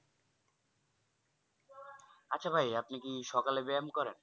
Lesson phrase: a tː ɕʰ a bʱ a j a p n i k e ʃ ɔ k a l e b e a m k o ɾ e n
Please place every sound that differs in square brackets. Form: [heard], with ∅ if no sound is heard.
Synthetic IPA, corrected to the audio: a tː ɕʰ a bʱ a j a p n i k [i] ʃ ɔ k a l e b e a m k [ɔ] ɾ e n